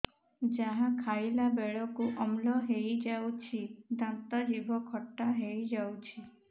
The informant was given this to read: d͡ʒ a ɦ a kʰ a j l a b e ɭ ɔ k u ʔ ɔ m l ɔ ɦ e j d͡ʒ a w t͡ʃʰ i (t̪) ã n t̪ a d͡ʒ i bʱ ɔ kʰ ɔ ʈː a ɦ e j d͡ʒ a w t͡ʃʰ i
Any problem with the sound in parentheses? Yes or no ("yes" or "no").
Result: yes